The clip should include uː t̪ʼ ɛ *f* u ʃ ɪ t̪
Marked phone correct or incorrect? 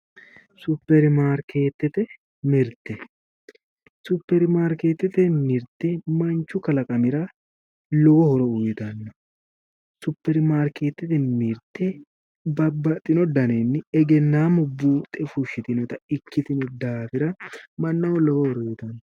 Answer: correct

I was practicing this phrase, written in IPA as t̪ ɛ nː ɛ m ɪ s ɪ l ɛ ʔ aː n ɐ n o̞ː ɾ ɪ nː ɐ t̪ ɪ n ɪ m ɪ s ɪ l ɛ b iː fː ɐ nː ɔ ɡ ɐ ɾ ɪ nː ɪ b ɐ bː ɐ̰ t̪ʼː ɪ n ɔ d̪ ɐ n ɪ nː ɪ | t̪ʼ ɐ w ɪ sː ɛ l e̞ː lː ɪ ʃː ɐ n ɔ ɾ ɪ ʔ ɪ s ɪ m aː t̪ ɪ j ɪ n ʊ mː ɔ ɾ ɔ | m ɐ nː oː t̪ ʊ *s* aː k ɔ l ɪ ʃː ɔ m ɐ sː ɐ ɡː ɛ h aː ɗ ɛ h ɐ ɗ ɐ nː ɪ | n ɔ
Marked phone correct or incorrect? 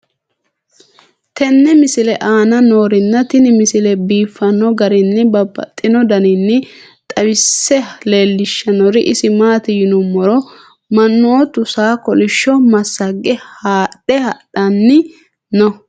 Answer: correct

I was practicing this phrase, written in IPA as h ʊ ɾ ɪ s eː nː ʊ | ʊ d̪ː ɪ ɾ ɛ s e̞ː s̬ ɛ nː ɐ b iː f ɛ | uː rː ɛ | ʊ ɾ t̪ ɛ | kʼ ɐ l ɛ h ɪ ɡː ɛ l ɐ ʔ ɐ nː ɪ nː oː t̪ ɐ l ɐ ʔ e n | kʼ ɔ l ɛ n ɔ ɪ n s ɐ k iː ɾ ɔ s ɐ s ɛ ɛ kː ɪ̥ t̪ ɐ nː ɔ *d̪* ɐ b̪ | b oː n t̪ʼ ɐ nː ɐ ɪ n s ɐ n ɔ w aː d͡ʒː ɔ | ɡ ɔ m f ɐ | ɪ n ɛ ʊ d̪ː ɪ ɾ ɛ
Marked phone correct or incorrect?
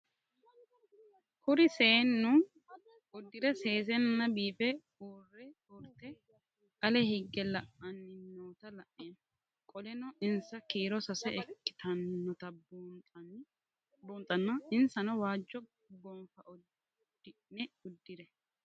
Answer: incorrect: t̪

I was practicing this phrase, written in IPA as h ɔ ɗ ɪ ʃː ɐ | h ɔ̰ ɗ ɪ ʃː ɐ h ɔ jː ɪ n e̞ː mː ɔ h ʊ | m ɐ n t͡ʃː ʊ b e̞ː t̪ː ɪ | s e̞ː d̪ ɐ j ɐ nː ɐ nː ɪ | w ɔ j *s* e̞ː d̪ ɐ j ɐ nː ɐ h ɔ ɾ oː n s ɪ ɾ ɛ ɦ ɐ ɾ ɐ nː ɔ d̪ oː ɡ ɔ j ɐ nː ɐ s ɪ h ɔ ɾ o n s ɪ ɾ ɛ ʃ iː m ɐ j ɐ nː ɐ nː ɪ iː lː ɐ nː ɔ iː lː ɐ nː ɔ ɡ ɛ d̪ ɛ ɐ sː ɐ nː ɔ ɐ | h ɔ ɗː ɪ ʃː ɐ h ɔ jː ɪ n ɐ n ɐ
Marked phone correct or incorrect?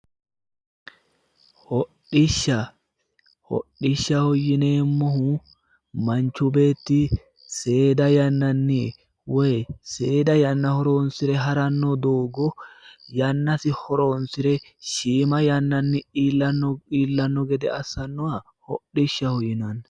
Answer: correct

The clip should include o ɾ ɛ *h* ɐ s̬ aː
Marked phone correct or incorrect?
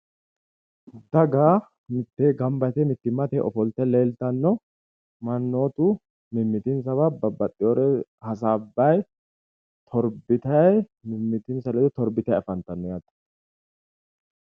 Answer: correct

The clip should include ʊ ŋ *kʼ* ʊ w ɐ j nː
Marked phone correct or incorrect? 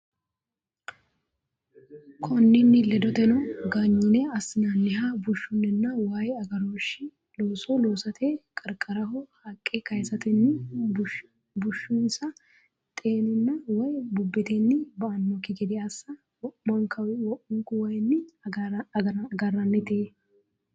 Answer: incorrect: k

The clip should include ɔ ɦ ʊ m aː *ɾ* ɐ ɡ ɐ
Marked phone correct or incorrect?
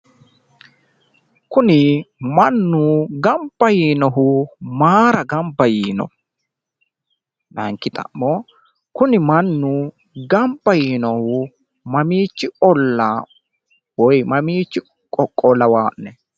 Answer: correct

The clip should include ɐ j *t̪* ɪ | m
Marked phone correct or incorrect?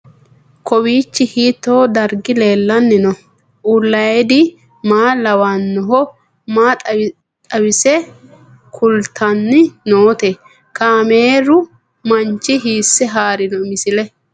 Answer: incorrect: d̪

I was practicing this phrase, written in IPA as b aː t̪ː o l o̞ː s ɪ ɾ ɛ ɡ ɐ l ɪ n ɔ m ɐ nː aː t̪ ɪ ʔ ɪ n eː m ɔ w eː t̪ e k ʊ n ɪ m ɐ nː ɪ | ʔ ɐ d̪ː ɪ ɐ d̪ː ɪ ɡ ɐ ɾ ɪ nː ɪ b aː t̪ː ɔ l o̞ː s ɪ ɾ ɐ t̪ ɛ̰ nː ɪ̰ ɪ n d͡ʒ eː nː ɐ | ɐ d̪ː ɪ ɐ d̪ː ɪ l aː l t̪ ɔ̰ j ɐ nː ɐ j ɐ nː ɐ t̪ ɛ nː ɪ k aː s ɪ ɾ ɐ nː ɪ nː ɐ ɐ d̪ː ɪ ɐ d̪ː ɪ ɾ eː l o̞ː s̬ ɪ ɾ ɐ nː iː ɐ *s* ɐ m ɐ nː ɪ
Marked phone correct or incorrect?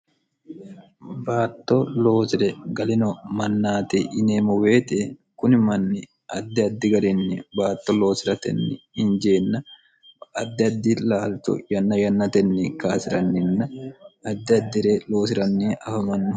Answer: incorrect: f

